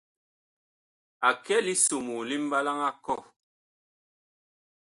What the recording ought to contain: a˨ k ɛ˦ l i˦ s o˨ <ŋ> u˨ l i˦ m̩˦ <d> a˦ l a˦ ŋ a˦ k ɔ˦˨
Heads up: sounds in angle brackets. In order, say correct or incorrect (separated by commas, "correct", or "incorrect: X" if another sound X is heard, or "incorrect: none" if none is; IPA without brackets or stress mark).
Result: incorrect: m, incorrect: b